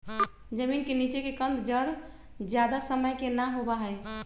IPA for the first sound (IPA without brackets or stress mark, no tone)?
d͡ʒ